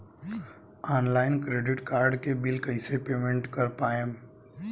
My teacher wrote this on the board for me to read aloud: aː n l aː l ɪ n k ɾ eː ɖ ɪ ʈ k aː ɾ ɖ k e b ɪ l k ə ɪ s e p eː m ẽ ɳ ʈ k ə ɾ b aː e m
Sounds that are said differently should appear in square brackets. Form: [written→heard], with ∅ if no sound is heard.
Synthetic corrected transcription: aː n l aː [l→∅] ɪ n k ɾ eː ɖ ɪ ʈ k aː ɾ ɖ k e b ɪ l k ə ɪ s e p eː m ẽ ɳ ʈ k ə ɾ [b→p] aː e m